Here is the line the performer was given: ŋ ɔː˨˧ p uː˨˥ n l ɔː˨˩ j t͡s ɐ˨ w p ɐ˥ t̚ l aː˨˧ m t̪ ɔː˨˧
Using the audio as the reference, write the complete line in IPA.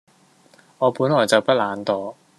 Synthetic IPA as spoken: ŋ ɔː˨˧ p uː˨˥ n l ɔː˨˩ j t͡s ɐ˨ w p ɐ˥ t̚ l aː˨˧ n t̪ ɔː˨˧